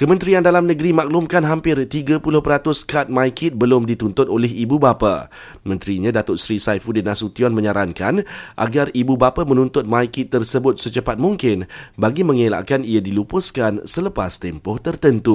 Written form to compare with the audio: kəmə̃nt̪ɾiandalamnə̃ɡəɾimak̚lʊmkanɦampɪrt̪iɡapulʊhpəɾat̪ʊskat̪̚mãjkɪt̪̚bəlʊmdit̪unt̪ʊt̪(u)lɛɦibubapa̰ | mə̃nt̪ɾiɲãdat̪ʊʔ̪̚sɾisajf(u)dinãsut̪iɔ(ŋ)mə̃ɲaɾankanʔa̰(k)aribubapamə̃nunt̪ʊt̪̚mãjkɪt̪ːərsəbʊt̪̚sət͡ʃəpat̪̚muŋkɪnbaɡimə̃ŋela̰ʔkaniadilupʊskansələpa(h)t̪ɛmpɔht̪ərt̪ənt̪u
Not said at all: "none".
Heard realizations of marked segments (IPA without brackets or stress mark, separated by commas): o, u, n, ɡ, s